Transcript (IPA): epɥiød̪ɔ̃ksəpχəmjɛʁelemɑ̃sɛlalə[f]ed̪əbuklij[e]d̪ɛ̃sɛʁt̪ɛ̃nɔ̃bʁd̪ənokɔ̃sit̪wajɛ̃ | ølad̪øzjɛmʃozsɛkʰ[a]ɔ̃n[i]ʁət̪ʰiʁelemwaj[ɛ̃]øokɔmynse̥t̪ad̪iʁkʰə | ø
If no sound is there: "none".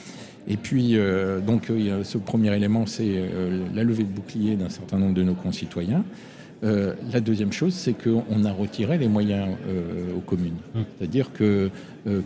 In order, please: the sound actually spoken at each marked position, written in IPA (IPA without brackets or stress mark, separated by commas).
v, e, ə, a, ɛ̃